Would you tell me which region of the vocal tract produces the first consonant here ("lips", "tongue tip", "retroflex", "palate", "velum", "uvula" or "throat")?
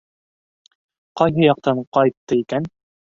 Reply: uvula